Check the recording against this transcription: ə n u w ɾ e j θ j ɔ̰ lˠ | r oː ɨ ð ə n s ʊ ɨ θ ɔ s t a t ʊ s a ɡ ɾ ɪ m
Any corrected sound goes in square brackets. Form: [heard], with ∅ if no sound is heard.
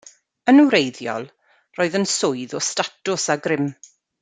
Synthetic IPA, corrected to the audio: ə n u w ɾ e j [ð] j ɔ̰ lˠ | r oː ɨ ð ə n s ʊ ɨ [ð] ɔ s t a t ʊ s a ɡ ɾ ɪ m